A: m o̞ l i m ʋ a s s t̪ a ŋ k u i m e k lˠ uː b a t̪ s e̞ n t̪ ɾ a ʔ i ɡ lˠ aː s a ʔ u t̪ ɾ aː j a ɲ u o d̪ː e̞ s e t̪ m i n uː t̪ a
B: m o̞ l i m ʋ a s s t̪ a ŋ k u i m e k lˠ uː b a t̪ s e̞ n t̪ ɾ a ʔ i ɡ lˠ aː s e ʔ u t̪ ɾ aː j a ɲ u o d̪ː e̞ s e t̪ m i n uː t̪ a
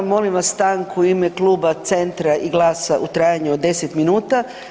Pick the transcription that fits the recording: A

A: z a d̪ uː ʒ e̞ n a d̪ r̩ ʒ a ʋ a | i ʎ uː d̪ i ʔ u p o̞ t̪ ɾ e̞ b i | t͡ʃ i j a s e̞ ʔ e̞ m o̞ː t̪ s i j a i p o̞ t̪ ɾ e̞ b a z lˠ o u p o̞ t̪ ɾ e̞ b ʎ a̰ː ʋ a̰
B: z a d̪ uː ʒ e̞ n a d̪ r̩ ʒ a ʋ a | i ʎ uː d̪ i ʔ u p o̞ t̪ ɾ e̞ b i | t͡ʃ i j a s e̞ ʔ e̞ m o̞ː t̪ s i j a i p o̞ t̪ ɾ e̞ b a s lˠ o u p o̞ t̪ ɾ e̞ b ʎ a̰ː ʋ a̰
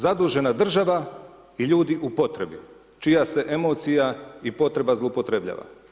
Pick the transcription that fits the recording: A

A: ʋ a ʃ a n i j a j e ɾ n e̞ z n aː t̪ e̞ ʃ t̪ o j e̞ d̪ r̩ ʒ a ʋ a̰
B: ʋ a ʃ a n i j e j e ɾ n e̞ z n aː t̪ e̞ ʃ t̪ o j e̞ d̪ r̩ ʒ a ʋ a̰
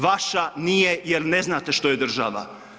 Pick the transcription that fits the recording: B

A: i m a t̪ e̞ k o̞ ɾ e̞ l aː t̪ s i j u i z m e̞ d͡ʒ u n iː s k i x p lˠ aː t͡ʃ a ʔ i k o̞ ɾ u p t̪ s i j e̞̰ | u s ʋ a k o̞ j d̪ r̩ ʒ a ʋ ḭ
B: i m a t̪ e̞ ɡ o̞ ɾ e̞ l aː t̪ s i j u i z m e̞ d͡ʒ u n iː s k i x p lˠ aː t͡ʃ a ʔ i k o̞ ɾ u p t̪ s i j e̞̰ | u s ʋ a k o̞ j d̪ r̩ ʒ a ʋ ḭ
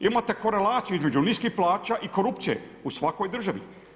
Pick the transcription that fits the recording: A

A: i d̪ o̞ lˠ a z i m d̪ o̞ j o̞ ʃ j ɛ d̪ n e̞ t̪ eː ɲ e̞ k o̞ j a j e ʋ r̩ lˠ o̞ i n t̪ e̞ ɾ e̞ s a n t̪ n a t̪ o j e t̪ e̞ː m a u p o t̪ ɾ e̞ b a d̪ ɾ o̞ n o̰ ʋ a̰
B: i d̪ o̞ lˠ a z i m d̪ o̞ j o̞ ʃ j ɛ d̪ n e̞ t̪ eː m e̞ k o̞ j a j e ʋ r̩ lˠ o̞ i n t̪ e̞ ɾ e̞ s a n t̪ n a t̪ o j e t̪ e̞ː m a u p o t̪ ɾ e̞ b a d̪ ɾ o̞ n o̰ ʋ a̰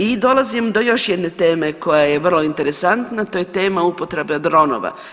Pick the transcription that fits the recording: B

